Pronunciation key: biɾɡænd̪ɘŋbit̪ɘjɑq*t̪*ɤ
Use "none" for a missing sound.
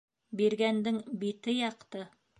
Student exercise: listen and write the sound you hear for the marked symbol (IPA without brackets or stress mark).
t̪